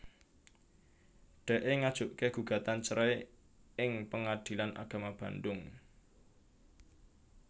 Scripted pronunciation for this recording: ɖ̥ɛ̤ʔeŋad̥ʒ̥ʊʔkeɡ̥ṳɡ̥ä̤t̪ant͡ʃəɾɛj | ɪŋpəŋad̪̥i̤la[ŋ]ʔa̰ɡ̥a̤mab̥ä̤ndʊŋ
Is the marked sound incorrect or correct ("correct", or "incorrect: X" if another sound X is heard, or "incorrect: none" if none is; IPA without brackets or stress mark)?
incorrect: n